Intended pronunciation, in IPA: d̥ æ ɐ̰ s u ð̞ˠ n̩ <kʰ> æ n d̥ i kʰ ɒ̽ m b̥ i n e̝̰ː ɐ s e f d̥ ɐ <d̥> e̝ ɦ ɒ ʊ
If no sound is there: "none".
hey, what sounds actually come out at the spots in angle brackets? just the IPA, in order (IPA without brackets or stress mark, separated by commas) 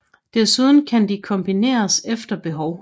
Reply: kʰ, b̥